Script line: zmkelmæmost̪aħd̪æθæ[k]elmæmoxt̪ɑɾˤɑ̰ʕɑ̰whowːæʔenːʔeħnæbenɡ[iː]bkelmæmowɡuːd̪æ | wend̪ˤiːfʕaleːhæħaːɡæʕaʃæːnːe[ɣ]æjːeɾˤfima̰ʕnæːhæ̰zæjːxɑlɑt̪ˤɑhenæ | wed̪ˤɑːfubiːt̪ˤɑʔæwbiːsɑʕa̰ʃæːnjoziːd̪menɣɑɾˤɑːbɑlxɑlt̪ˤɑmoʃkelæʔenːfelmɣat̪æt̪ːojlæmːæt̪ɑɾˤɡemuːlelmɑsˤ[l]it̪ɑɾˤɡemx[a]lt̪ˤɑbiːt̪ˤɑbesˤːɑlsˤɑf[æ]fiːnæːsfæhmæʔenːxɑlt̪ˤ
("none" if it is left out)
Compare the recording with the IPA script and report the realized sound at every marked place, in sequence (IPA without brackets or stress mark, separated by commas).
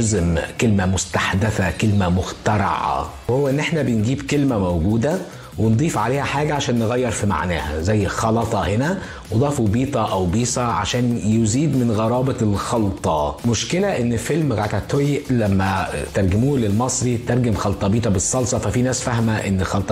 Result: k, iː, ɣ, ɾ, ɑ, æ